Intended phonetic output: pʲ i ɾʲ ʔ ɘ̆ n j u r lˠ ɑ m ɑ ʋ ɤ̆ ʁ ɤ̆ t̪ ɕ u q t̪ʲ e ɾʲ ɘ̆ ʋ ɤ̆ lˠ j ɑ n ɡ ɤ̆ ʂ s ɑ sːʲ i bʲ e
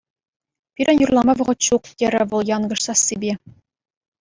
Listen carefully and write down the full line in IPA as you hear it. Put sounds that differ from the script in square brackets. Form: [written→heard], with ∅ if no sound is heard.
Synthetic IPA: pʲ i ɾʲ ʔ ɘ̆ n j u r lˠ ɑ m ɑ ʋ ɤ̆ ʁ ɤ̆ t̪ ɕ u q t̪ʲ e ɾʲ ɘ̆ ʋ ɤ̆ lˠ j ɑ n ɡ ɤ̆ ʂ s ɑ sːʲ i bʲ e